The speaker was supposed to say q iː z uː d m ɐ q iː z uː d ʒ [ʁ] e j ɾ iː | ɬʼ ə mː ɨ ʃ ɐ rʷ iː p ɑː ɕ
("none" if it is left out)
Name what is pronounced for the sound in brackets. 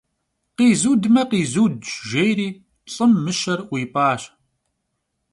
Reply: ʒ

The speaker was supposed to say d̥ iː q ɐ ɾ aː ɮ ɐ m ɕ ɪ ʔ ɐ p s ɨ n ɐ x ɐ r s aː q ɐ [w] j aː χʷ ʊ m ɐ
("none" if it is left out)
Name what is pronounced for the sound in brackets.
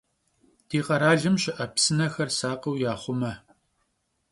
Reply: w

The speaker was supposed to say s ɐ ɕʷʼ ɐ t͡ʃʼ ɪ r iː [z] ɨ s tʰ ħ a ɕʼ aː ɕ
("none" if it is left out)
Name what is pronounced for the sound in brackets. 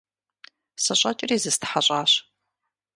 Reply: z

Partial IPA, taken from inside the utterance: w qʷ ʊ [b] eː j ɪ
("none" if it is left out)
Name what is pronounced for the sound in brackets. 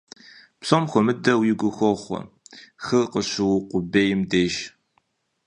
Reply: b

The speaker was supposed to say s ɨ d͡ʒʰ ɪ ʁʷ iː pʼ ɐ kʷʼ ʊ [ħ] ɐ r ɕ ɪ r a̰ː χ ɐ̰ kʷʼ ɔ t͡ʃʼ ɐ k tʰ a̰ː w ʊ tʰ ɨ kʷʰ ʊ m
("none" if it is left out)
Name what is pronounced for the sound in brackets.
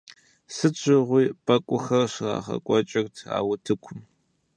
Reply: x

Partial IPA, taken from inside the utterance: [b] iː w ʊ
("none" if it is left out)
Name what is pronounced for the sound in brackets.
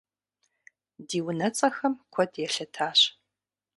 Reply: d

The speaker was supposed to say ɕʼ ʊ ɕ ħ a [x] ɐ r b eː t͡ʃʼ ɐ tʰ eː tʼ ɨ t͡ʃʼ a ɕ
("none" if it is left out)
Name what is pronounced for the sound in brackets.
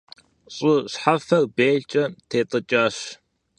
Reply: f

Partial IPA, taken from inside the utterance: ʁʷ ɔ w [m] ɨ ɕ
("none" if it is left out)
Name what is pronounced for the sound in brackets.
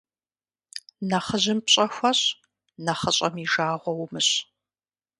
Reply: m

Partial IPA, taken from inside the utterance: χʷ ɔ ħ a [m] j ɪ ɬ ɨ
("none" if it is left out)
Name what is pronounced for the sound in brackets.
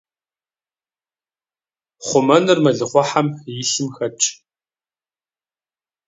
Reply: m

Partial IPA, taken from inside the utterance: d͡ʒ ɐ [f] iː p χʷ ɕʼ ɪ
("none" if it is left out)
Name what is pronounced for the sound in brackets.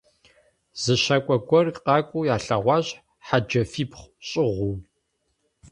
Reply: f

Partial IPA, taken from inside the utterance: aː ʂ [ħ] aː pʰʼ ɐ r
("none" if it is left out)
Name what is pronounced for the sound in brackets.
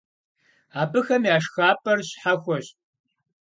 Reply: x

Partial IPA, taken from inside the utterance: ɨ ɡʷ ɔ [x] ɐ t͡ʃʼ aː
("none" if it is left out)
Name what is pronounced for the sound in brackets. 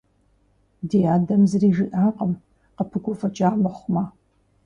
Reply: f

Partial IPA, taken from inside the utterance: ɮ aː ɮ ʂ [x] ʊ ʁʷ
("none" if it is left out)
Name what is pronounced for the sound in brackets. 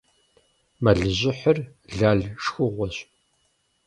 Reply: x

